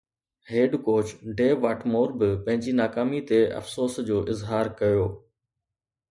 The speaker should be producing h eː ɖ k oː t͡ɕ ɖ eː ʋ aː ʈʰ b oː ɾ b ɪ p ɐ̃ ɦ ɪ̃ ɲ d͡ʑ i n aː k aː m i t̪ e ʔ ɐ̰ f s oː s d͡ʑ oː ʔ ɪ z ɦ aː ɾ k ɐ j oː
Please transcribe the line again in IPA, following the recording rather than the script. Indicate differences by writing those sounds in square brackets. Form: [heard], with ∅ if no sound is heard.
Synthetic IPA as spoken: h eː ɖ k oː t͡ɕ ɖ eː ʋ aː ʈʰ [m] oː ɾ b ɪ p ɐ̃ ɦ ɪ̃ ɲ d͡ʑ i n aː k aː m i t̪ e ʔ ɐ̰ f s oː s d͡ʑ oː ʔ ɪ z ɦ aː ɾ k ɐ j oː